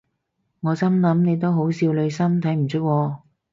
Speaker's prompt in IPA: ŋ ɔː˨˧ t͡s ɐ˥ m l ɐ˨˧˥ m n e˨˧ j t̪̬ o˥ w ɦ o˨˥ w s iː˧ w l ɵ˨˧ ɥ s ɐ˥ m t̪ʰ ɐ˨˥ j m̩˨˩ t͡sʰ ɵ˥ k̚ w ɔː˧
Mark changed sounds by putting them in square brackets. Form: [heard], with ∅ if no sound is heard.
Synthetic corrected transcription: ŋ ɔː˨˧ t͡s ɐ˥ m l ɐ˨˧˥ m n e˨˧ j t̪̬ o˥ w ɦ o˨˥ w s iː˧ w l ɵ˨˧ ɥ s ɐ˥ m t̪ʰ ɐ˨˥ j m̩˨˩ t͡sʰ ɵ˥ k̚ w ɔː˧

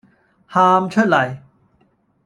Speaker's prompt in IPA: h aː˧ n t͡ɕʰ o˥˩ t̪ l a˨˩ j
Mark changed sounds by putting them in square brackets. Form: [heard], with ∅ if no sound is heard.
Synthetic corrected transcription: h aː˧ [m] t͡ɕʰ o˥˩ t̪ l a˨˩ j

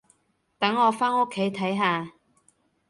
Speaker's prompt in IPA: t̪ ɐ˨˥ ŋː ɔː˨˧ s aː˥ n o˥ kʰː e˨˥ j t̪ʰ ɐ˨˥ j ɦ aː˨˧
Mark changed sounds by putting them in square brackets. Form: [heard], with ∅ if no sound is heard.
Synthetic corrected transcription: t̪ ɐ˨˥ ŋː ɔː˨˧ [f] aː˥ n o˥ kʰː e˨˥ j t̪ʰ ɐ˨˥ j ɦ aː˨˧

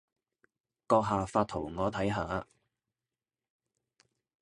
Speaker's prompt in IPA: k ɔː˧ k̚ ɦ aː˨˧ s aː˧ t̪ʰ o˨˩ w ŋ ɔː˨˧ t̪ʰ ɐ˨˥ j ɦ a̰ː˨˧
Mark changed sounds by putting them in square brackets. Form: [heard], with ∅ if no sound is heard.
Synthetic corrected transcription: k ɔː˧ k̚ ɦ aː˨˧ [f] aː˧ t̪ʰ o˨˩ w ŋ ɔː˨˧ t̪ʰ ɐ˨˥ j ɦ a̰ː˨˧

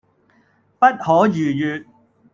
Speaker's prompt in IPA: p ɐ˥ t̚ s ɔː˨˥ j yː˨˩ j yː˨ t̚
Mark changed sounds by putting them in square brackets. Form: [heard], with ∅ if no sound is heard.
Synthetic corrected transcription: p ɐ˥ t̚ [h] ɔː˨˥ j yː˨˩ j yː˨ t̚

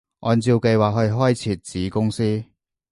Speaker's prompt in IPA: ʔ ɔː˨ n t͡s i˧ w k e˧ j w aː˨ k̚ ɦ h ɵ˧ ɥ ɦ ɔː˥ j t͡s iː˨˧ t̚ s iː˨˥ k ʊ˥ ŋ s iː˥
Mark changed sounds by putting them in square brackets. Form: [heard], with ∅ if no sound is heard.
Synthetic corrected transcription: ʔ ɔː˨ n t͡s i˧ w k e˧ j w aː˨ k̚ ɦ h ɵ˧ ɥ ɦ ɔː˥ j [t͡sʰ] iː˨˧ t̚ [t͡s] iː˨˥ k ʊ˥ ŋ s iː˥

